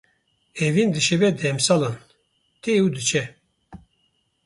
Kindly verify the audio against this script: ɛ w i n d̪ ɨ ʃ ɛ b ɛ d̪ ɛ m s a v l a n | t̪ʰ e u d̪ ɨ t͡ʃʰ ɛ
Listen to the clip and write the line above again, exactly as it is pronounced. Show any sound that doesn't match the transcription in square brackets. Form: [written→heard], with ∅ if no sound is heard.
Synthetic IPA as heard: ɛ [w→v] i n d̪ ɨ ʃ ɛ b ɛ d̪ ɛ m s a [v→∅] l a n | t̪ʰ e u d̪ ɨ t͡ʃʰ ɛ